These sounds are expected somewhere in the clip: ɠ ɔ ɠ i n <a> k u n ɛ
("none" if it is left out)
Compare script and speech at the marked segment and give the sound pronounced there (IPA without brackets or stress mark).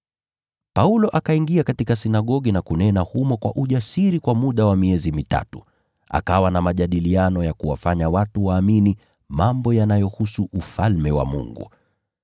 a